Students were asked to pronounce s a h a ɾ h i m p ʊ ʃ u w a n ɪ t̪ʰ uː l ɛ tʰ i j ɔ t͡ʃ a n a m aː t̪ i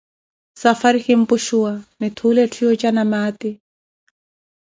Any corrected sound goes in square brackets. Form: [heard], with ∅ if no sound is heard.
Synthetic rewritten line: s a [f] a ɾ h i m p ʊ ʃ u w a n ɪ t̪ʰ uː l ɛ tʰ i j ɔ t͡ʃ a n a m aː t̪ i